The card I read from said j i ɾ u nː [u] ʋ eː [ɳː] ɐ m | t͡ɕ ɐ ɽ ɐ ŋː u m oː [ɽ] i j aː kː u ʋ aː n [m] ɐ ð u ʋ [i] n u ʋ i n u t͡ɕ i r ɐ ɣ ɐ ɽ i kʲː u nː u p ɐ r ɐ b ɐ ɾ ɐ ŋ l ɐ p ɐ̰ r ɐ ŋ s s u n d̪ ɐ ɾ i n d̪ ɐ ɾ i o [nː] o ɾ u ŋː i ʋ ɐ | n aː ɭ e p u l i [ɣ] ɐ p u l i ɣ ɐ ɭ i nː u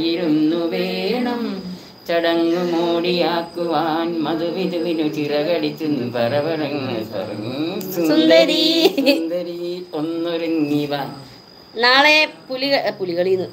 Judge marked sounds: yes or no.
yes, no, yes, yes, yes, yes, yes

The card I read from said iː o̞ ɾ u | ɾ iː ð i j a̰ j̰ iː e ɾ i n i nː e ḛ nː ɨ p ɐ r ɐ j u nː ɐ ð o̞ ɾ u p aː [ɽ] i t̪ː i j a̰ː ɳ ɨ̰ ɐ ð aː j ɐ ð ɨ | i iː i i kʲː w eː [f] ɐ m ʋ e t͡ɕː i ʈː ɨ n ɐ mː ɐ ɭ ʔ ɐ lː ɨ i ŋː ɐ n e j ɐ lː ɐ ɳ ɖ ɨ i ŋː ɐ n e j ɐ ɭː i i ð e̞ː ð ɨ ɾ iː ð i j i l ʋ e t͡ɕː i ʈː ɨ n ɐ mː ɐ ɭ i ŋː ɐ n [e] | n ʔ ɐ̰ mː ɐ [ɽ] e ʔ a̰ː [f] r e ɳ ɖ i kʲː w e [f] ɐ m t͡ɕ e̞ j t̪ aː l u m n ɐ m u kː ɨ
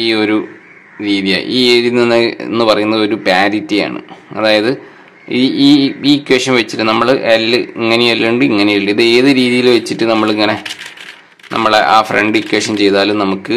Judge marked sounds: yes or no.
no, no, yes, no, yes, no

